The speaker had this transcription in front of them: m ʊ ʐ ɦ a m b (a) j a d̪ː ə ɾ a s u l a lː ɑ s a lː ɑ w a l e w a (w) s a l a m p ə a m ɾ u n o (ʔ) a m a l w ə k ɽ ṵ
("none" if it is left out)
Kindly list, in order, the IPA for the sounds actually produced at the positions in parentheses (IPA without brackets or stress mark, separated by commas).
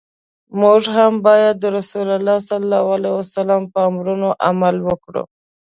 ɑ, none, ʔ